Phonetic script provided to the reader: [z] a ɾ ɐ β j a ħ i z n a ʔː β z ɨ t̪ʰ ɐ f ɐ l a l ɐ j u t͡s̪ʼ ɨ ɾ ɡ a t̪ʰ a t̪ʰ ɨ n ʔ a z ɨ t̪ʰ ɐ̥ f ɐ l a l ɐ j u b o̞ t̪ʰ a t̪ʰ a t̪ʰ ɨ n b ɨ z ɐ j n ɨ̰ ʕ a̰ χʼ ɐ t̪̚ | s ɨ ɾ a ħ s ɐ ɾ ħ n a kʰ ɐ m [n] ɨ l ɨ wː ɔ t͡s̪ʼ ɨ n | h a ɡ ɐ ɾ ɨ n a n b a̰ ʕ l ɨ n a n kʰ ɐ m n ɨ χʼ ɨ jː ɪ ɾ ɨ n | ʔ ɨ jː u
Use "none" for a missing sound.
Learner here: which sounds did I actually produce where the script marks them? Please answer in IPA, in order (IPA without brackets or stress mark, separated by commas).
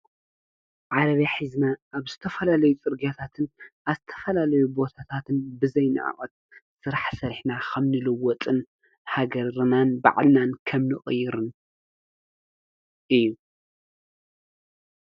ʕ, n